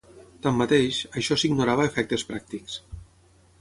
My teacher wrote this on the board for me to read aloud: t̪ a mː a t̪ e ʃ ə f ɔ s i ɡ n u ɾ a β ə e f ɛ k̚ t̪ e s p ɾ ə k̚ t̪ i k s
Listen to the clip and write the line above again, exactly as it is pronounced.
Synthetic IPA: t̪ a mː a t̪ e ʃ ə ʃ ɔ s i ɡ n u ɾ a β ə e f ɛ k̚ t̪ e s p ɾ a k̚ t̪ i k s